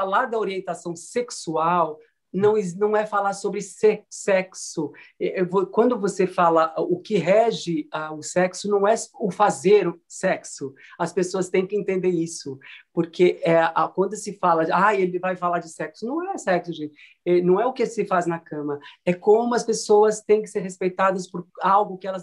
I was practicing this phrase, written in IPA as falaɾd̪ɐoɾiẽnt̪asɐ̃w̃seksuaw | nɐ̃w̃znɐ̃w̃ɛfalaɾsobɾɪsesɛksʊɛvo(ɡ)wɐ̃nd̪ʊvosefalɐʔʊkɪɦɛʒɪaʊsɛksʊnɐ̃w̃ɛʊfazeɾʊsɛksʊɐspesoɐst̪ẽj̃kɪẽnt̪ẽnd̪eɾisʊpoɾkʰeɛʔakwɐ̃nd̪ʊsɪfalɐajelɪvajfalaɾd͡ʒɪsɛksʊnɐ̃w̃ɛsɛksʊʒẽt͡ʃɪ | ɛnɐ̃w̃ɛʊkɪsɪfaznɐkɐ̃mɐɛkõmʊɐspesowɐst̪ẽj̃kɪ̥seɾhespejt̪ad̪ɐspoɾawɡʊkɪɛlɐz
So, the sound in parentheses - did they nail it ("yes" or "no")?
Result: no